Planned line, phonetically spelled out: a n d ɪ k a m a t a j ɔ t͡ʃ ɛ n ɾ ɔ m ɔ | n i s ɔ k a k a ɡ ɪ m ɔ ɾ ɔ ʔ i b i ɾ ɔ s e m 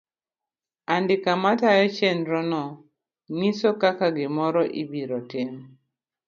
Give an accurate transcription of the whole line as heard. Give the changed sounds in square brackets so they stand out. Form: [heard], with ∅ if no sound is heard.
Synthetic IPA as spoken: a n d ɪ k a m a t a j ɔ t͡ʃ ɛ n ɾ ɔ [n] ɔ | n i s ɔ k a k a ɡ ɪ m ɔ ɾ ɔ ʔ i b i ɾ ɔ [t] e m

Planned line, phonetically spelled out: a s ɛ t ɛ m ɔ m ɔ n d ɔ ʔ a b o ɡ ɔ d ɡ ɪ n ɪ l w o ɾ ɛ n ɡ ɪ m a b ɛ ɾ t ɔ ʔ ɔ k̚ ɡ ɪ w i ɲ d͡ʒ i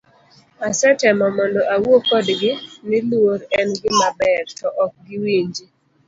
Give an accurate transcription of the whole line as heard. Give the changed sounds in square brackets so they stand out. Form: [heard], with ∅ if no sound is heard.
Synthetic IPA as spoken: a s ɛ t ɛ m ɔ m ɔ n d ɔ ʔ a [w] o [k] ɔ d ɡ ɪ n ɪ l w o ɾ ɛ n ɡ ɪ m a b ɛ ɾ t ɔ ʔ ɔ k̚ ɡ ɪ w i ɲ d͡ʒ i

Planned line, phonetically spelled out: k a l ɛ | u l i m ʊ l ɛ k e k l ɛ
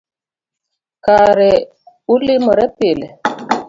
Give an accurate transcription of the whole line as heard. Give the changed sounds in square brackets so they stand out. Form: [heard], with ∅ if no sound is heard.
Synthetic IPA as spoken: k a [ɾ] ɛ | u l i m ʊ [ɾ] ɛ [p] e [∅] l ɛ

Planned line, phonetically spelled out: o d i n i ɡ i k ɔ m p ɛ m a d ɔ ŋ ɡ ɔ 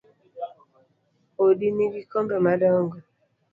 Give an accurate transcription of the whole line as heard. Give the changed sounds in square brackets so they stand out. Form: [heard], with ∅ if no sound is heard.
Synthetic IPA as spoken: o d i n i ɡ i k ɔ m [b] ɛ m a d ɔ ŋ ɡ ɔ

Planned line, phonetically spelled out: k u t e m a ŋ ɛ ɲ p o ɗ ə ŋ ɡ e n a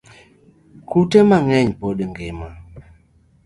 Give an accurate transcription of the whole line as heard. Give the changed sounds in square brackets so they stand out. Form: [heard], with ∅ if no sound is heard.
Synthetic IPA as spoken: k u t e m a ŋ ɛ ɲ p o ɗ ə ŋ ɡ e [m] a

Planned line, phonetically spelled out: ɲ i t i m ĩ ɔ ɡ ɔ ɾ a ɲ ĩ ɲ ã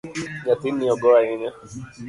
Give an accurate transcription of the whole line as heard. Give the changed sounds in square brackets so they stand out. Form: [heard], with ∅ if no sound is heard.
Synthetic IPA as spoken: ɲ [a] t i [n] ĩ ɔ ɡ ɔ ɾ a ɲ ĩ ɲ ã

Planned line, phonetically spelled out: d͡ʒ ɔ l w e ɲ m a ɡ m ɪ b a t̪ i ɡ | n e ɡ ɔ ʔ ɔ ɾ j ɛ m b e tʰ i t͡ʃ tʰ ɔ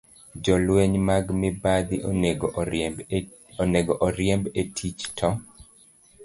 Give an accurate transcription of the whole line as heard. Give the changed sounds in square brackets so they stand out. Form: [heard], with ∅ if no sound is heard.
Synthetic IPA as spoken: d͡ʒ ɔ l w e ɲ m a ɡ m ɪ b a [d̪] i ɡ | n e ɡ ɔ ʔ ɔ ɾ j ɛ m b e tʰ i t͡ʃ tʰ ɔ

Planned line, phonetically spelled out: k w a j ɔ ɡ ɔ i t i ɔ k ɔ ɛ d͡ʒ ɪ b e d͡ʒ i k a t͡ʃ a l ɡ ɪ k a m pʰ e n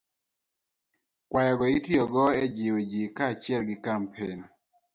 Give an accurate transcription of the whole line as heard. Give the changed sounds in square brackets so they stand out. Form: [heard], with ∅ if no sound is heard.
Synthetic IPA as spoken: k w a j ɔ ɡ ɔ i t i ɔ [ɡ] ɔ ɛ d͡ʒ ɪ [w] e d͡ʒ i k a t͡ʃ [ɛ] l ɡ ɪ k a m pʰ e n

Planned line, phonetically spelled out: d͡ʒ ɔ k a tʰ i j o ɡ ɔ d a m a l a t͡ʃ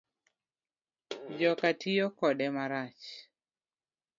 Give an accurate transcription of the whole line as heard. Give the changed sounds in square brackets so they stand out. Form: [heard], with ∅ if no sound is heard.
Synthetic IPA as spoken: d͡ʒ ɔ k a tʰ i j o [k] ɔ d [ɛ] m a [ɾ] a t͡ʃ

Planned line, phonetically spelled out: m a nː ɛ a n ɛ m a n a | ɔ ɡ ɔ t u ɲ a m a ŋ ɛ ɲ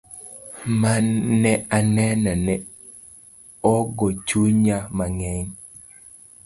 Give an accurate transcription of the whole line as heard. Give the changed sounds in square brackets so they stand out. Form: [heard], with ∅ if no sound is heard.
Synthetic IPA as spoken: m a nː ɛ a n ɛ [n] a n [ɛ] | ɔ ɡ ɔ [t͡ʃ] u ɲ a m a ŋ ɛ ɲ

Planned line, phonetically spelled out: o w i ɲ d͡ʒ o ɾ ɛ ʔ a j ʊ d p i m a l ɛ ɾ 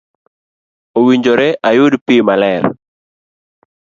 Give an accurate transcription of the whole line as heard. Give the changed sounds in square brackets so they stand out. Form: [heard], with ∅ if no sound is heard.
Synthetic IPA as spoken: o w i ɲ d͡ʒ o ɾ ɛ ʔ a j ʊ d p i m a l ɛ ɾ

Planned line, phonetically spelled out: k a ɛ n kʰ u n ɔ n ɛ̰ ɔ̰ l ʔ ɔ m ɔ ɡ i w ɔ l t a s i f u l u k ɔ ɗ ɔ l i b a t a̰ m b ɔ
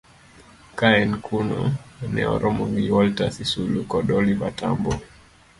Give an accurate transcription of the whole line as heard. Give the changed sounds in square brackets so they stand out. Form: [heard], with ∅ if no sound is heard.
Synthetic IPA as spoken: k a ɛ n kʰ u n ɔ n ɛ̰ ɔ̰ [ɾ] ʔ ɔ m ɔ ɡ i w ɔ l t a s i [s] u l u k ɔ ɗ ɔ l i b a t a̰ m b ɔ

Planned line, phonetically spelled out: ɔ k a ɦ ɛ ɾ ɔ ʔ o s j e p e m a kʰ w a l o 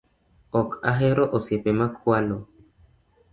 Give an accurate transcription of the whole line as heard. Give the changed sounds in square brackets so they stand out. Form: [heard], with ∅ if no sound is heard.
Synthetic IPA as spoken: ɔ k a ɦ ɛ ɾ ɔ ʔ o s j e p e m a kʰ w a l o

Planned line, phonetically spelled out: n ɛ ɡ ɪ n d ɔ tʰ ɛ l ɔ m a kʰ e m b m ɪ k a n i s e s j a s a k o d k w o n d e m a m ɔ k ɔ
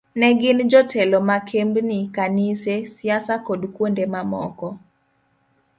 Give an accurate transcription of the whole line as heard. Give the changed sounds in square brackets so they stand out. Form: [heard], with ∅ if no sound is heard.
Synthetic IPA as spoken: n ɛ ɡ ɪ n [d͡ʒ] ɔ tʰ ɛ l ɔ m a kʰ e m b [n] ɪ k a n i s e s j a s a k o d k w o n d e m a m ɔ k ɔ

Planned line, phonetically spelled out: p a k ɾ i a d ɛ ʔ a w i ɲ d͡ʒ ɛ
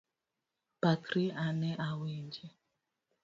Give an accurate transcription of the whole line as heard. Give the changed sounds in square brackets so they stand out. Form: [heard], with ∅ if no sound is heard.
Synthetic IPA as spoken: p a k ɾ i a [n] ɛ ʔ a w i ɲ d͡ʒ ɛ

